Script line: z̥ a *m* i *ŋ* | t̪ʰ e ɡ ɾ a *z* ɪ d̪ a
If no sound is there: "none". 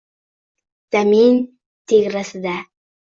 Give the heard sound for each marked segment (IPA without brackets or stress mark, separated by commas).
m, n, s